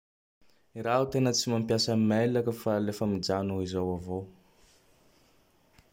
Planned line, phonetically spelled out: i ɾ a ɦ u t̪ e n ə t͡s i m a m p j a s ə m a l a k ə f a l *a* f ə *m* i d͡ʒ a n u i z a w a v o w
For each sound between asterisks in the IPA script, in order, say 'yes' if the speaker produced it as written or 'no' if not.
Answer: no, yes

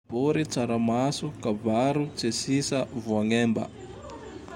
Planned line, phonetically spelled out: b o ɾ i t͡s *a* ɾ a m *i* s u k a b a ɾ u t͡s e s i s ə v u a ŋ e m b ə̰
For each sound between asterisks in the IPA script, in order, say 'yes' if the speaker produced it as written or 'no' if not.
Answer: yes, no

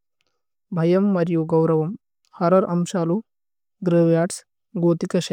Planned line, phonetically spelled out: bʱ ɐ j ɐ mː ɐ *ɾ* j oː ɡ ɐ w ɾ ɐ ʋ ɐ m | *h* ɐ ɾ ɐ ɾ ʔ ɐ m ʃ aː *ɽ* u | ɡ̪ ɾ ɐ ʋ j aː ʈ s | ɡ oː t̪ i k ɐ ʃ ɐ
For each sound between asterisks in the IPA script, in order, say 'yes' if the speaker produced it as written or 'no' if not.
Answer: yes, yes, no

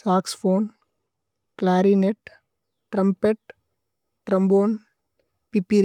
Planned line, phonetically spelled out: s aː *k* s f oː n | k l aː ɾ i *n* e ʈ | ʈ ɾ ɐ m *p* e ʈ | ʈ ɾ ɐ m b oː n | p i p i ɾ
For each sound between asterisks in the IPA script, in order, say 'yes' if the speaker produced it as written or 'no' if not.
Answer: yes, yes, yes

